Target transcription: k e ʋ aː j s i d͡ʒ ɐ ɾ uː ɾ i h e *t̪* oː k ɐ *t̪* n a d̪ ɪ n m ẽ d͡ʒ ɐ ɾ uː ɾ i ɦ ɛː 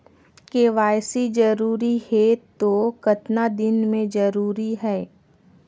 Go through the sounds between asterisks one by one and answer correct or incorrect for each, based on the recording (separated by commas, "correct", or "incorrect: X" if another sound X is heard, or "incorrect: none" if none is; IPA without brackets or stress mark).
correct, correct